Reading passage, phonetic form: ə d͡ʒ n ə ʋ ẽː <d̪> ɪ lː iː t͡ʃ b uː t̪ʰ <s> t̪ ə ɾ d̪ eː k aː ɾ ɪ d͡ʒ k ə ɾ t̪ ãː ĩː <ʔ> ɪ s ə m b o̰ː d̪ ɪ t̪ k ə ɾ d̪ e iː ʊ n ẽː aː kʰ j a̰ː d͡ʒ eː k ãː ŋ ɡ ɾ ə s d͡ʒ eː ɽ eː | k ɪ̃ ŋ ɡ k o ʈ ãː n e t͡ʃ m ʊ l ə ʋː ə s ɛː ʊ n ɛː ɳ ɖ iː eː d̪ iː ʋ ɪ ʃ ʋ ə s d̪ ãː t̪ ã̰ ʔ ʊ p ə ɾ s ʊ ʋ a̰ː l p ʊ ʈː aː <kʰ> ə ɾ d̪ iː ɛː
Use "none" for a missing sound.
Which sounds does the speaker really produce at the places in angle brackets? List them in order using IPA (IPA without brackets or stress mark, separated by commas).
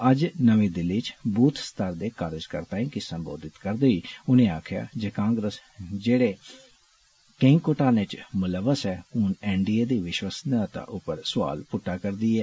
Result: d̪, s, k, k